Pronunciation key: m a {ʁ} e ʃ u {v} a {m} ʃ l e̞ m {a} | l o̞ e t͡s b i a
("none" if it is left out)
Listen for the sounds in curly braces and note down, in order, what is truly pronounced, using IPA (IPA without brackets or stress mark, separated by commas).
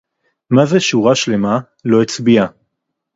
z, ʁ, none, a